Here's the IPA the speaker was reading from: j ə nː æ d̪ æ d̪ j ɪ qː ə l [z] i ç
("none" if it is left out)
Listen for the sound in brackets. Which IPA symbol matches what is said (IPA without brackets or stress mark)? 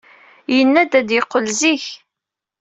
z